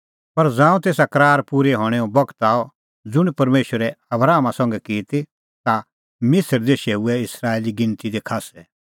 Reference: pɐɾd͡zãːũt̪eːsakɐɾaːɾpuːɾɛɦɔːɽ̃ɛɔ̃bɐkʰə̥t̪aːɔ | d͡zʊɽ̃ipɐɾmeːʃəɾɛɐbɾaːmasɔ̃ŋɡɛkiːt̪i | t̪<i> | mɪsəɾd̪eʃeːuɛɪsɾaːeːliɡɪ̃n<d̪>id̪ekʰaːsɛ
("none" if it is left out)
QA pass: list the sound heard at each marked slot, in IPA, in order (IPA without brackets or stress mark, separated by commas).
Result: a, t̪